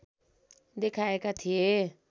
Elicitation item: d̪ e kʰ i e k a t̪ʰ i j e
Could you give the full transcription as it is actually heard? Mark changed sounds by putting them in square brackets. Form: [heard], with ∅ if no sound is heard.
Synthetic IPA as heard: d̪ e kʰ [a] e k a t̪ʰ i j e